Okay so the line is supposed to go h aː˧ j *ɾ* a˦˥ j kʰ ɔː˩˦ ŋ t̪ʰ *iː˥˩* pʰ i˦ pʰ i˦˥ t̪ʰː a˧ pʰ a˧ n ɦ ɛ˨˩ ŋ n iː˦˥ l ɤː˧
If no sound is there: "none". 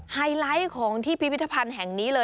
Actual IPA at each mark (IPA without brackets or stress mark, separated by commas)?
l, iː˥˩